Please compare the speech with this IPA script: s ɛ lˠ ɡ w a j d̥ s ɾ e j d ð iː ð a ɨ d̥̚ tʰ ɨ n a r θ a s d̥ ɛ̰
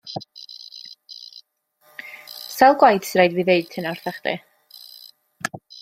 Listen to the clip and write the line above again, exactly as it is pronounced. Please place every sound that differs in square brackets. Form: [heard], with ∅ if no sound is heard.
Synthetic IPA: s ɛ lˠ ɡ w a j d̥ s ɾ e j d [v] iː ð [e] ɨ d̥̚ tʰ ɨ n a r θ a [χ] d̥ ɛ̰